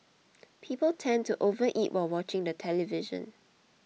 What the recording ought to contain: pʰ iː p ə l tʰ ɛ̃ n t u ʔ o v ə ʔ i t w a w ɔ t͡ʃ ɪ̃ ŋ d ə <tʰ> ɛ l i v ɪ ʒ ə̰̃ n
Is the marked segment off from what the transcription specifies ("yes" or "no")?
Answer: no